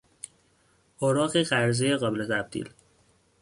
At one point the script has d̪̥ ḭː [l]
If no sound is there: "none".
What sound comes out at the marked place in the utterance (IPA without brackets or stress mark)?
l